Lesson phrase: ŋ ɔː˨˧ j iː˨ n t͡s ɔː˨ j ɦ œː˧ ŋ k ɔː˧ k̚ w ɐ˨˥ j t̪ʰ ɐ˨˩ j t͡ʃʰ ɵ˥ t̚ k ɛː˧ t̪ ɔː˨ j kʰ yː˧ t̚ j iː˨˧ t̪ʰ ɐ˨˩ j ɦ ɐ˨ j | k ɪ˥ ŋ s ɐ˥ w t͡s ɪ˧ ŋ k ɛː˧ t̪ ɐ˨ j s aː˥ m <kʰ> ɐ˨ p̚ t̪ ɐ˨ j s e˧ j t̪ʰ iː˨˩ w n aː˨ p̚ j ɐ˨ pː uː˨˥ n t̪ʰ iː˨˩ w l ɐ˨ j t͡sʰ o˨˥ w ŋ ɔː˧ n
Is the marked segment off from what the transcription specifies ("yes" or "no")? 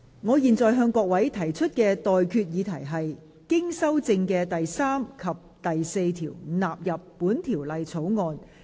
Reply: no